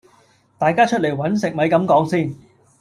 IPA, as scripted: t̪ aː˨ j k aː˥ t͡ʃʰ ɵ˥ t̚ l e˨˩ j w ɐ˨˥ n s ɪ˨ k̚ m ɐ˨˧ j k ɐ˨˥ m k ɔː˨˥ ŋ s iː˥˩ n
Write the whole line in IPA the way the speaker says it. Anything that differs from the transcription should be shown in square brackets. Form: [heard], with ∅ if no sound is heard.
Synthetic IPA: t̪ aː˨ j k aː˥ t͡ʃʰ ɵ˥ t̚ l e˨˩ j w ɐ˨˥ n s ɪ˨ k̚ m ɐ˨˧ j k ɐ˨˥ m k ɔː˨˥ ŋ s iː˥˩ n